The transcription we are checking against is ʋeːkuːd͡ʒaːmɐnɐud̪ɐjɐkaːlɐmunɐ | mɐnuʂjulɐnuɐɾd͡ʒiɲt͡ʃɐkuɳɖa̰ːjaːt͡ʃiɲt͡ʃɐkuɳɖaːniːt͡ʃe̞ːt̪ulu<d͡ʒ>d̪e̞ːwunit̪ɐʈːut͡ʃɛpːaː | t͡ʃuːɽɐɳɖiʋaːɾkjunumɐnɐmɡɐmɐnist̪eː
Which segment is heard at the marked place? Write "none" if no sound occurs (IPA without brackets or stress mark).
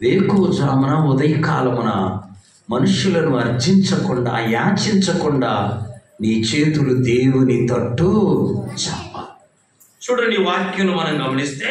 none